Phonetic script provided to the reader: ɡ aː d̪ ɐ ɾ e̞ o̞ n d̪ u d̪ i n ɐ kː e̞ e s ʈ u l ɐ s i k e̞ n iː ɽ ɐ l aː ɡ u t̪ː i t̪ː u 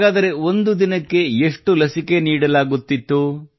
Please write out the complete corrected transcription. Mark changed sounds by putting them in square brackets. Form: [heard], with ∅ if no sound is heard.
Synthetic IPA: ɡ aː d̪ ɐ ɾ e̞ o̞ n d̪ u d̪ i n ɐ kː e̞ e [ʂ] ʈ u l ɐ s i k e̞ n iː ɽ ɐ l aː ɡ u t̪ː i t̪ː u

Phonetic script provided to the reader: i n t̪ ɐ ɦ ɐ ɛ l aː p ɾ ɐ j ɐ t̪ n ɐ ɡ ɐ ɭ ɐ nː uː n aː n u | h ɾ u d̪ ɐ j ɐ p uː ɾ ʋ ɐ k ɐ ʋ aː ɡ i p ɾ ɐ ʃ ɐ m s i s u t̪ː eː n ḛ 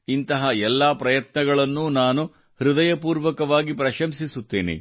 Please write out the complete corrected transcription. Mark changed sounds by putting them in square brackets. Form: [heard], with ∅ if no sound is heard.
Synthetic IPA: i n t̪ ɐ ɦ ɐ ɛ [lː] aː p ɾ ɐ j ɐ t̪ n ɐ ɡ ɐ ɭ ɐ nː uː n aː n u | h ɾ u d̪ ɐ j ɐ p uː ɾ ʋ ɐ k ɐ ʋ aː ɡ i p ɾ ɐ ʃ ɐ m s i s u t̪ː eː n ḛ

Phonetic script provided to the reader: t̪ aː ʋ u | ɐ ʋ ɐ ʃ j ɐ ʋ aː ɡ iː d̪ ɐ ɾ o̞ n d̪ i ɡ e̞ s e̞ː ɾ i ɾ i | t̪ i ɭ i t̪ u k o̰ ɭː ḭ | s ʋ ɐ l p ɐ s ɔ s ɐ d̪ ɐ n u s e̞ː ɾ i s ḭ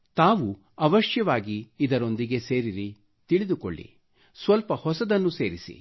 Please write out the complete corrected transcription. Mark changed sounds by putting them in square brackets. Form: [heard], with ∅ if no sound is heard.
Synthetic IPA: t̪ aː ʋ u | ɐ ʋ ɐ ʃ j ɐ ʋ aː ɡ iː d̪ ɐ ɾ o̞ n d̪ i ɡ e̞ s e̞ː ɾ i ɾ i | t̪ i ɭ i [d̪] u k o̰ ɭː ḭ | s ʋ ɐ l p ɐ [h] ɔ s ɐ d̪ ɐ [nː] u s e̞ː ɾ i s ḭ

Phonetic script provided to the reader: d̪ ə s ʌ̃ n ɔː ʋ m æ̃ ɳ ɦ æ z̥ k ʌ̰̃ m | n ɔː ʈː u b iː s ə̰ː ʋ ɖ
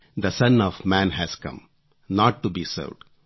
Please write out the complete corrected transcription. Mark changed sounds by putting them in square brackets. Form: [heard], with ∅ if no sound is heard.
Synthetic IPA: d̪ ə s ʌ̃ n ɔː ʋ m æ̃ [n] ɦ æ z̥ k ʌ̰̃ m | n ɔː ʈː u b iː s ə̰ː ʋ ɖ

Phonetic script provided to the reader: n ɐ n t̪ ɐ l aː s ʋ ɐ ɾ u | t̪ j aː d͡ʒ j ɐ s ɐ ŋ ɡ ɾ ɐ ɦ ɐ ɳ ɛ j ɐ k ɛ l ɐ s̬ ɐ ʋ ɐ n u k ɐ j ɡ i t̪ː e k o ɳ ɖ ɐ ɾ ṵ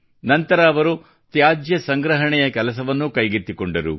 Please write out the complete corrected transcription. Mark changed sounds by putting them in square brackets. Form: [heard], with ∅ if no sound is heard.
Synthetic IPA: n ɐ n t̪ ɐ [ɾ] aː [∅] ʋ ɐ ɾ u | t̪ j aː d͡ʒ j ɐ s ɐ ŋ ɡ ɾ ɐ ɦ ɐ ɳ ɛ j ɐ k ɛ l ɐ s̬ ɐ ʋ ɐ [nː] u k ɐ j ɡ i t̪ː [i] k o ɳ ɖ ɐ ɾ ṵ

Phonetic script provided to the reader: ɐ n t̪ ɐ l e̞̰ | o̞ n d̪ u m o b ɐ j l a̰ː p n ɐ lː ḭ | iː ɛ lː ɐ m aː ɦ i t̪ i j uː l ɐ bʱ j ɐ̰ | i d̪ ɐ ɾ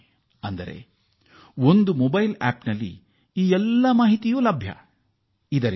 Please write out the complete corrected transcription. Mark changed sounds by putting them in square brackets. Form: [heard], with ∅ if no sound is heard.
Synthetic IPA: ɐ n [d̪] ɐ [ɾ] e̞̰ | o̞ n d̪ u m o b ɐ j l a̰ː p n ɐ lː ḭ | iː ɛ lː ɐ m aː ɦ i t̪ i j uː l ɐ bʱ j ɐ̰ | i d̪ ɐ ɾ

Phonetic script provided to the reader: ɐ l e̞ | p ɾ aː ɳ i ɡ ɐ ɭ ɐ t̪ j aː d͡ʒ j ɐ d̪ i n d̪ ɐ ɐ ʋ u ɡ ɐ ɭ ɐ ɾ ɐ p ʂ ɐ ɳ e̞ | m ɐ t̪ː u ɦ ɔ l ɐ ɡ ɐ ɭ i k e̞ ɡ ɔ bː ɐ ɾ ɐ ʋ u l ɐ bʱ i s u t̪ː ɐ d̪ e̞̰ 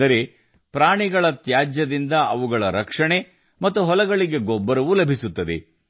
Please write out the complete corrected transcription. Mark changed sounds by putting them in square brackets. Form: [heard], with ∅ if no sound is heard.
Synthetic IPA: ɐ [ɾ] e̞ | p ɾ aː ɳ i ɡ ɐ ɭ ɐ t̪ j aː d͡ʒ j ɐ d̪ i n d̪ ɐ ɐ ʋ u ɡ ɐ ɭ ɐ ɾ ɐ [k] ʂ ɐ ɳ e̞ | m ɐ t̪ː u ɦ ɔ l ɐ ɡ ɐ ɭ i [ɡ] e̞ ɡ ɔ bː ɐ ɾ ɐ ʋ u l ɐ bʱ i s u t̪ː ɐ d̪ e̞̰

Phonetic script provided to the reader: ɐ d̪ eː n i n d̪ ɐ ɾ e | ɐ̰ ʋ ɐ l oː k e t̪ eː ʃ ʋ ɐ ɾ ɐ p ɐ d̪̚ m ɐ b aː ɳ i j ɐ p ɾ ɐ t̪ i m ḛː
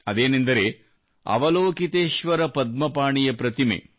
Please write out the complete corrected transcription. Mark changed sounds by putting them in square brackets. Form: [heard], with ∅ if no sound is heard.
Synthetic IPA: ɐ d̪ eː n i n d̪ ɐ ɾ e | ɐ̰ ʋ ɐ l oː k [i] t̪ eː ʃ ʋ ɐ ɾ ɐ p ɐ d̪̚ m ɐ [p] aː ɳ i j ɐ p ɾ ɐ t̪ i m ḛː

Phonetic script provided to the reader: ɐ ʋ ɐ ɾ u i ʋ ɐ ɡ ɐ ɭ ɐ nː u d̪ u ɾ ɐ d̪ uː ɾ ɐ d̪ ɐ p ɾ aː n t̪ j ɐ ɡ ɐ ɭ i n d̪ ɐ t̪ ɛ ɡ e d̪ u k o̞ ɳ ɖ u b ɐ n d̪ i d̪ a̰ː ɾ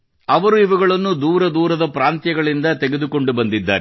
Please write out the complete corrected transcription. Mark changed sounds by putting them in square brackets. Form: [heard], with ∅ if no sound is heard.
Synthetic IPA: ɐ ʋ ɐ ɾ u i ʋ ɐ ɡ ɐ ɭ ɐ nː u d̪ [uː] ɾ ɐ d̪ uː ɾ ɐ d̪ ɐ p ɾ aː n t̪ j ɐ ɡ ɐ ɭ i n d̪ ɐ t̪ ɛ ɡ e d̪ u k o̞ ɳ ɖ u b ɐ n d̪ i [d̪ː] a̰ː ɾ

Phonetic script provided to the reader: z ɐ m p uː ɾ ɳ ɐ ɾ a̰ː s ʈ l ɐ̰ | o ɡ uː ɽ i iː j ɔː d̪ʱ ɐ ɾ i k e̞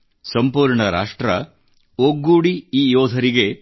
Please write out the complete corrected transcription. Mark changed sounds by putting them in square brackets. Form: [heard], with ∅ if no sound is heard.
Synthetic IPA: [s] ɐ m p uː ɾ ɳ ɐ ɾ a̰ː [ʂ] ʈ [ɾ] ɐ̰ | o ɡ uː ɽ i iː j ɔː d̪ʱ ɐ ɾ i [ɡ] e̞

